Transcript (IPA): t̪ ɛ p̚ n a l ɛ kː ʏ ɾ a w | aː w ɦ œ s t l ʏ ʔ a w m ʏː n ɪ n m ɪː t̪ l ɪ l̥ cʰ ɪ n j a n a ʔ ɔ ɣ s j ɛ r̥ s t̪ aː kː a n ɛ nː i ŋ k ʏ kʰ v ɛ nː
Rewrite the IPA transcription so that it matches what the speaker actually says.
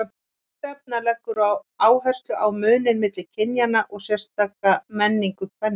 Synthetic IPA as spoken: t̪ ɛ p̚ n a l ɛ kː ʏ ɾ a w | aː w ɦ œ s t l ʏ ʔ a w m ʏː n ɪ n m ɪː t̪ l ɪ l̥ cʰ ɪ n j a n a ʔ ɔ ɣ s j ɛ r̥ s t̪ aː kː a m ɛ nː i ŋ k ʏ kʰ v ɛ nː